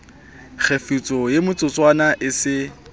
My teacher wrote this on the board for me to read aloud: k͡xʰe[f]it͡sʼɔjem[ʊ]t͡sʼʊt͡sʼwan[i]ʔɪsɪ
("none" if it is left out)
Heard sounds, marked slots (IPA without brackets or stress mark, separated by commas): f, ʊ, a